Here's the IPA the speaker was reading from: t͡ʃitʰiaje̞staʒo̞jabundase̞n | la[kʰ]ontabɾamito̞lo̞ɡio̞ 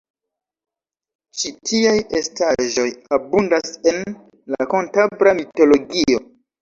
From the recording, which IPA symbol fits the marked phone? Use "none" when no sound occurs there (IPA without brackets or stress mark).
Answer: k